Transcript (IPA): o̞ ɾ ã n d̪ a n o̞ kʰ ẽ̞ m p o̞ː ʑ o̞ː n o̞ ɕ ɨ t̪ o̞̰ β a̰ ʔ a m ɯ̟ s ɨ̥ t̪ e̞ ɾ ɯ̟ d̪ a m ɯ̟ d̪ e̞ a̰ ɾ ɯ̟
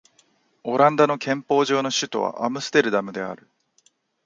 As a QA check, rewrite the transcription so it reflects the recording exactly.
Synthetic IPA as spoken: o̞ ɾ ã n d̪ a n o̞ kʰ ẽ̞ m p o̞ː ʑ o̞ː n o̞ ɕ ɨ t̪ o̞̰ β a̰ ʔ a m ɯ̟ s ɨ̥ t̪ e̞ ɾ ɯ̟ d̪ a m ɯ̟ d̪ e̞ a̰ ɾ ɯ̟